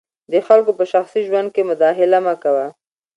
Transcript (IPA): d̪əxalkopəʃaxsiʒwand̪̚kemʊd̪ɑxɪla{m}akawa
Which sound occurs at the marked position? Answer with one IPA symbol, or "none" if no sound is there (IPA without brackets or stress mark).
m